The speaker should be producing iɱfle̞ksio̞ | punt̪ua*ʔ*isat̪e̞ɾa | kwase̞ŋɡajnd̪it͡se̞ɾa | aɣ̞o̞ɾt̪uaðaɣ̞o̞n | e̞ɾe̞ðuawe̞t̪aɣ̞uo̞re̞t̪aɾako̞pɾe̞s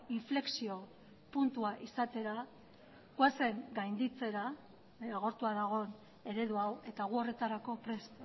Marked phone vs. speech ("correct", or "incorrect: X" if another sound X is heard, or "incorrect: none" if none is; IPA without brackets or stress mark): correct